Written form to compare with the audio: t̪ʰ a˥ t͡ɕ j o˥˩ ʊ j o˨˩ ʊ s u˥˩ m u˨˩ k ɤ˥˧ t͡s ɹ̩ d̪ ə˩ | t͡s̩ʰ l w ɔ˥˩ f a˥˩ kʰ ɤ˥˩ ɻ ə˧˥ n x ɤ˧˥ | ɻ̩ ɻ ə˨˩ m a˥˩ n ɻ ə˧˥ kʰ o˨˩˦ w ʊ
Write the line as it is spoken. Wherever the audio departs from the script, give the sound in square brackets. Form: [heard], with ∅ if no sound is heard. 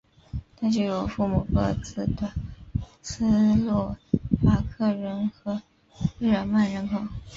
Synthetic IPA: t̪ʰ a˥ t͡ɕ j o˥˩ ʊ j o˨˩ ʊ [f] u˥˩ m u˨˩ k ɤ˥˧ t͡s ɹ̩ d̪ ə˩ | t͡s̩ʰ l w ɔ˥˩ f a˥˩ kʰ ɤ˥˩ ɻ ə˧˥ n x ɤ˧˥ | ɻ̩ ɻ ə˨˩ m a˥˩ n ɻ ə˧˥ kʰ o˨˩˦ [∅] ʊ